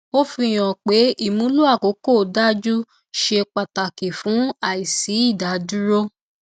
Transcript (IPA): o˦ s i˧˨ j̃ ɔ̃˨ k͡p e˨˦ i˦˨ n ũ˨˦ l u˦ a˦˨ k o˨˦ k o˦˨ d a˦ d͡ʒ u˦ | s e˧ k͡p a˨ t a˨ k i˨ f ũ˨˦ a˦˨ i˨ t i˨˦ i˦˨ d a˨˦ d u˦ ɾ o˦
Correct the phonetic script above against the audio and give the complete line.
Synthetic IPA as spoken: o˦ f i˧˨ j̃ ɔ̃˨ k͡p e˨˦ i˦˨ m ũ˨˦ l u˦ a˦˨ k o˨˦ k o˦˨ d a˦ d͡ʒ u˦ | ʃ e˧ k͡p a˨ t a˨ k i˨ f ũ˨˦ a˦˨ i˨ s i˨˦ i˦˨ d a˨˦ d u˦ ɾ o˦